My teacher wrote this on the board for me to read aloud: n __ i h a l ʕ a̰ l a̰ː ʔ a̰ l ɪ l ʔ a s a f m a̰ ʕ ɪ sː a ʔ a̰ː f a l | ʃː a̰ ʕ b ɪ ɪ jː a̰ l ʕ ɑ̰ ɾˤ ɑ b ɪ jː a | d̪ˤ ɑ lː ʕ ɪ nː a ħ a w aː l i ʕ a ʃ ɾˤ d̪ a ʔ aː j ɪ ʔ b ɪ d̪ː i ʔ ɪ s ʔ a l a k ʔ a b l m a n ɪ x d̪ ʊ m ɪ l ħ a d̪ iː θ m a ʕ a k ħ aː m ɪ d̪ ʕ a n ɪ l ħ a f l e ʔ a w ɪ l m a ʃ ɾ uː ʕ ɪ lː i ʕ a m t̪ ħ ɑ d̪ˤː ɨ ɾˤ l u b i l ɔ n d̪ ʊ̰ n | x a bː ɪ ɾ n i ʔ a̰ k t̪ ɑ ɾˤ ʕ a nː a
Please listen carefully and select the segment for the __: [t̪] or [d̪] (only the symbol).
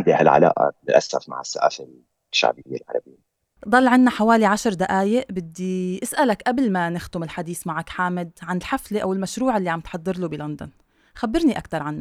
d̪